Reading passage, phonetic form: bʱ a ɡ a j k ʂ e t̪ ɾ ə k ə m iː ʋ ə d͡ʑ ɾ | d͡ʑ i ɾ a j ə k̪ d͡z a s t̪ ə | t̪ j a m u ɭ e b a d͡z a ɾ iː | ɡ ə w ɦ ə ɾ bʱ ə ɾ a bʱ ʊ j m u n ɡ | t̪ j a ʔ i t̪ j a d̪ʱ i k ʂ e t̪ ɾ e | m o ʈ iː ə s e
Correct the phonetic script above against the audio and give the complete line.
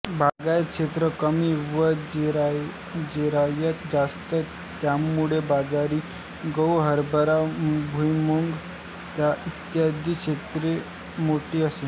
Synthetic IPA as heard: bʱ a ɡ a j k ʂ e t̪ ɾ ə k ə m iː ʋ ə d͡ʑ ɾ | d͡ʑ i ɾ a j ə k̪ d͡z a s t̪ ə | t̪ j a m u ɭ e b a d͡z a ɾ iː | ɡ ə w ɦ ə ɾ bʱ ə ɾ a bʱ u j m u ŋ ɡ | t̪ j a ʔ i t̪ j a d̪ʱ i k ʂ e t̪ ɾ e | m o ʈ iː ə s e